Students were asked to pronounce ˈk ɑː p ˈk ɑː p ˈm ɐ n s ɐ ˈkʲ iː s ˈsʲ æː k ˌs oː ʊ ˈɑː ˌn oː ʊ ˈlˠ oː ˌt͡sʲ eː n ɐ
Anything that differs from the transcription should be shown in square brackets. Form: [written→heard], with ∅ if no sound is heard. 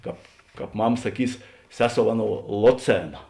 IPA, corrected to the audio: ˈk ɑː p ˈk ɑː p ˈm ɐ [n→m] s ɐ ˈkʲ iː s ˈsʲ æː [k→∅] ˌs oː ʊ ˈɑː ˌn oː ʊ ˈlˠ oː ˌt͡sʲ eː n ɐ